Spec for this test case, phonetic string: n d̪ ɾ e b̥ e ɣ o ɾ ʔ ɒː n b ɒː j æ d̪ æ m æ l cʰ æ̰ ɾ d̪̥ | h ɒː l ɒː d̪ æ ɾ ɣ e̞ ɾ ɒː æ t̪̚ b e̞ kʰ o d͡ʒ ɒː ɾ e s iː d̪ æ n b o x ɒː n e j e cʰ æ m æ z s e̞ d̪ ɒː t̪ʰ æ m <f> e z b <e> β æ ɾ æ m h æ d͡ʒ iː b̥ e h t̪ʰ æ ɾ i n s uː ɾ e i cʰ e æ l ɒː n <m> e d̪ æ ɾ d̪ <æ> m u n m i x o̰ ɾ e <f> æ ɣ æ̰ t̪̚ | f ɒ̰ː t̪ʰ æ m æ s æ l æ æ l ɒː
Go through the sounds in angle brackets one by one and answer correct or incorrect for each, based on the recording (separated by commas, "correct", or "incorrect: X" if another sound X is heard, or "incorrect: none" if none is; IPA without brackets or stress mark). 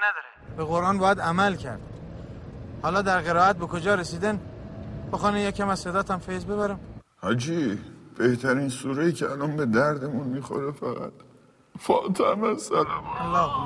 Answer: correct, correct, incorrect: b, incorrect: e, correct